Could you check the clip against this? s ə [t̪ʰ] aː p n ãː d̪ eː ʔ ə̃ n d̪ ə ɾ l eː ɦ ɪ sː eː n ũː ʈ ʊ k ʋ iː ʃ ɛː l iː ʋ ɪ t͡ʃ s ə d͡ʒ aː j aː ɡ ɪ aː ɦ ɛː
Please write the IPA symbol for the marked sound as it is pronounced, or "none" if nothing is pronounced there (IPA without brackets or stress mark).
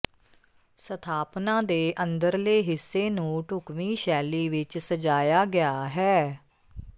t̪ʰ